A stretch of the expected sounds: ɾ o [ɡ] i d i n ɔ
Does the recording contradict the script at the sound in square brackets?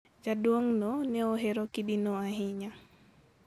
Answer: yes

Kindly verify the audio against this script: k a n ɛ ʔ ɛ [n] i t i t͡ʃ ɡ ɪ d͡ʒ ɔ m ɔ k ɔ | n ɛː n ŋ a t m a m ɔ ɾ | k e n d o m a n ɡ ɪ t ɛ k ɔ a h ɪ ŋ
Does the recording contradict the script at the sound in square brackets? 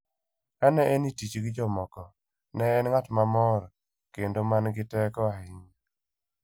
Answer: no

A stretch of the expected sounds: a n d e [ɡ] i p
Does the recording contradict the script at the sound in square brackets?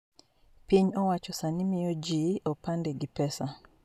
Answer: no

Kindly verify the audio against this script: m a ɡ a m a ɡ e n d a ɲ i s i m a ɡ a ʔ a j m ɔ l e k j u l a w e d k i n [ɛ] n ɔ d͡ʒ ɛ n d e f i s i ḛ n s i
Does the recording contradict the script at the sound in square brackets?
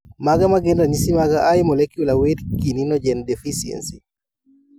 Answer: yes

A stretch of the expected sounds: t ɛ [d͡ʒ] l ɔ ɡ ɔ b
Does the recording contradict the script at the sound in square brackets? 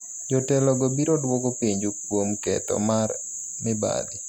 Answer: yes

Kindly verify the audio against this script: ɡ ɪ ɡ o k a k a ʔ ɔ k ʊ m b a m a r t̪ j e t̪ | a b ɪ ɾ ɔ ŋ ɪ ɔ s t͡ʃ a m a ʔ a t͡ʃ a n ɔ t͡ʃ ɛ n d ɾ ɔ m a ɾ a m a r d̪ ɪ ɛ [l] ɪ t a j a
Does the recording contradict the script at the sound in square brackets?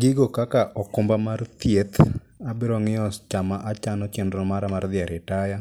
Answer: yes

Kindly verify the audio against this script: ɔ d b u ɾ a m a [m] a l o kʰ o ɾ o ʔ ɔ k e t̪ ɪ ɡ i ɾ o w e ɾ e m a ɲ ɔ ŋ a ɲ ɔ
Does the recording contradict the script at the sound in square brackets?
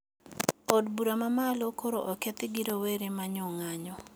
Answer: no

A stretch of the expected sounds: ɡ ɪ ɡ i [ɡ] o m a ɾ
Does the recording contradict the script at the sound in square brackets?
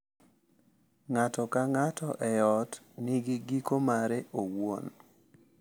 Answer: yes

